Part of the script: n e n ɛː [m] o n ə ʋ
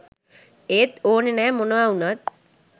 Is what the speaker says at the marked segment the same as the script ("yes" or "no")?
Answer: yes